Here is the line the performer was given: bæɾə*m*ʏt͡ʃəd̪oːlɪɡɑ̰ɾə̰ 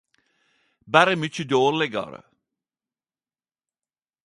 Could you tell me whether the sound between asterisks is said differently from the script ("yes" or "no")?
no